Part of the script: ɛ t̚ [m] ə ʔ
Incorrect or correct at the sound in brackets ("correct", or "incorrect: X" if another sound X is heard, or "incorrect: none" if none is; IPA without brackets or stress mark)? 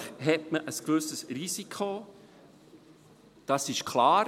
correct